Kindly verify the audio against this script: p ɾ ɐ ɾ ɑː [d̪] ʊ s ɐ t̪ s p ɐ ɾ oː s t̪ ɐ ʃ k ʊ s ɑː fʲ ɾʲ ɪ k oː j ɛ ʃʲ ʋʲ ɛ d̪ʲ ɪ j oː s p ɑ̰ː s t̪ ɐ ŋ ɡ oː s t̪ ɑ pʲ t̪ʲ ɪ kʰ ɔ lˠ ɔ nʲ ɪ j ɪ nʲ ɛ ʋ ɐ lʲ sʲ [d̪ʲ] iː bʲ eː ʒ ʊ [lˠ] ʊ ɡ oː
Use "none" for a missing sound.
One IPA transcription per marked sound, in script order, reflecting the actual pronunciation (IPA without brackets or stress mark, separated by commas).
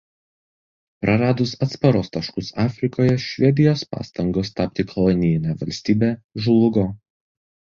d̪, t̪ʲ, lˠ